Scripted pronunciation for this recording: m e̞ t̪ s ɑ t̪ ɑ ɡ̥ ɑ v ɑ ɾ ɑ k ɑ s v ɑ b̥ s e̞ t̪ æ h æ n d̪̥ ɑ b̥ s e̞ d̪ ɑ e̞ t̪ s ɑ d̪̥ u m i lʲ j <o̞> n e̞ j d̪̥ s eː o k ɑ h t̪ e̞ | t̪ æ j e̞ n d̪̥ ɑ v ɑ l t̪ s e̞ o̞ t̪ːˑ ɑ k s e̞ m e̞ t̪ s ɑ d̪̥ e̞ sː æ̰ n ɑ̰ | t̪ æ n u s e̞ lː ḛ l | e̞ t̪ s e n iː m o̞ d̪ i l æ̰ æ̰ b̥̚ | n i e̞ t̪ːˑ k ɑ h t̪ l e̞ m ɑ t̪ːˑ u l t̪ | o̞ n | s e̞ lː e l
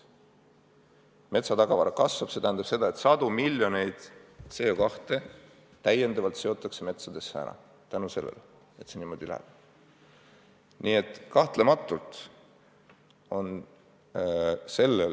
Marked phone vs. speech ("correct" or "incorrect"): correct